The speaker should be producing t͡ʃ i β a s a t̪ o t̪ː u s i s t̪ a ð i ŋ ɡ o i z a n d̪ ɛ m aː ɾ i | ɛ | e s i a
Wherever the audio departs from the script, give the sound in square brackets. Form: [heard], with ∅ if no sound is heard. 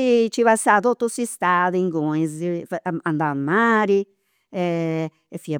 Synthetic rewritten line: t͡ʃ i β a s a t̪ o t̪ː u s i s t̪ a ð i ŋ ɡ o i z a n d̪ [a] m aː ɾ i | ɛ | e [f] i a